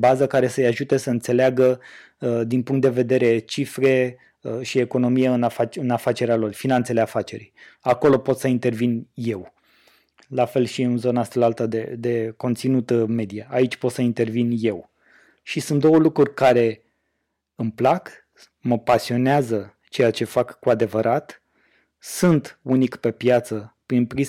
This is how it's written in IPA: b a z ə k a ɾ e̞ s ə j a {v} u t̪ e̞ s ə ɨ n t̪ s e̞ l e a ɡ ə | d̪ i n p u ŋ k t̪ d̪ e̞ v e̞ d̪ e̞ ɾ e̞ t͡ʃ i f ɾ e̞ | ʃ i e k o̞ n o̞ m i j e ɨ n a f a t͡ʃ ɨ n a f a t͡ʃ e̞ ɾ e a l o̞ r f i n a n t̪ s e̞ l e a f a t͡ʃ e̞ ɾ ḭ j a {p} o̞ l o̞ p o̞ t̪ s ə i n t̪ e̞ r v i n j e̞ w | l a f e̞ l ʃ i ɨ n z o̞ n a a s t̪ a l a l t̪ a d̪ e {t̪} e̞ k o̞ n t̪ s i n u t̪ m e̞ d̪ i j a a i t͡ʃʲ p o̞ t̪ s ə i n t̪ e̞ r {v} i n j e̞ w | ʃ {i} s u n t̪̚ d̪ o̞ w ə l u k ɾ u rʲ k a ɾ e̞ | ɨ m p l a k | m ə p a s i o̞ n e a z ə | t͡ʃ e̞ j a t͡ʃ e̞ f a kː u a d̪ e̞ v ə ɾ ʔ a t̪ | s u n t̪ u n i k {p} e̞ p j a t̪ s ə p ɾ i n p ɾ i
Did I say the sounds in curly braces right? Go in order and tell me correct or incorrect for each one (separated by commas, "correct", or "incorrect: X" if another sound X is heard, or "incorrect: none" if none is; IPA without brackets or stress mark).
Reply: incorrect: ʒ, incorrect: k, incorrect: d̪, correct, correct, correct